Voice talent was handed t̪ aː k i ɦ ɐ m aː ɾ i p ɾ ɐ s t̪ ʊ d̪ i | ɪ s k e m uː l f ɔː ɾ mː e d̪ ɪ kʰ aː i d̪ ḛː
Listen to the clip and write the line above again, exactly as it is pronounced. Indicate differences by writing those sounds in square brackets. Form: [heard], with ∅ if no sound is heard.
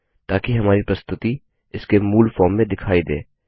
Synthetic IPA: t̪ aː k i ɦ ɐ m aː ɾ i p ɾ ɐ s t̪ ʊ [t̪] i | ɪ s k e m uː l f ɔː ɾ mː [ẽ] d̪ ɪ kʰ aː i d̪ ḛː